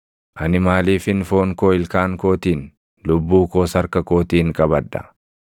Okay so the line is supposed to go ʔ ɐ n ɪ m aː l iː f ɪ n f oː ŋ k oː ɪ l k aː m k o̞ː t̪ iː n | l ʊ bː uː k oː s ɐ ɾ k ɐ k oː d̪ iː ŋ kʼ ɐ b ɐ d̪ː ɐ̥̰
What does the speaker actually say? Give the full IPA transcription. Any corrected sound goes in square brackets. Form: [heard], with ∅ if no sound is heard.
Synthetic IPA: ʔ ɐ n ɪ m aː l iː f ɪ n f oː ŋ k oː ɪ l k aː [ŋ] k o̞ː t̪ iː n | l ʊ bː uː k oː s ɐ ɾ k ɐ k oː [t̪] iː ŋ kʼ ɐ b ɐ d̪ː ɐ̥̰